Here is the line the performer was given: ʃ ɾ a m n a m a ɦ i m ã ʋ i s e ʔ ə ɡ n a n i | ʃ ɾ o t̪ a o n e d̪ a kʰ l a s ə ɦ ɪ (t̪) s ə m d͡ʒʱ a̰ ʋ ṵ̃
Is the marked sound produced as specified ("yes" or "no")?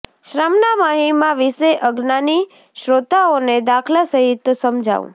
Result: yes